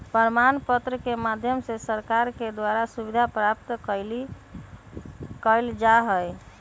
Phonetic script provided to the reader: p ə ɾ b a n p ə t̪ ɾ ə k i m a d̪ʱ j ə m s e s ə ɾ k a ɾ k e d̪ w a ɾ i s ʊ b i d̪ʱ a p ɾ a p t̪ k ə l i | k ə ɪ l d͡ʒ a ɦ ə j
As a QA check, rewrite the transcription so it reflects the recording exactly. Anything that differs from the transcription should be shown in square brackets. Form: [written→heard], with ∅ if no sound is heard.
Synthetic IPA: p ə ɾ [b→m] a n p ə t̪ ɾ ə k [i→e] m a d̪ʱ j ə m s e s ə ɾ k a ɾ k e d̪ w a ɾ [i→a] s [ʊ→u] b i d̪ʱ a p ɾ a p t̪ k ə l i | k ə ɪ l d͡ʒ a ɦ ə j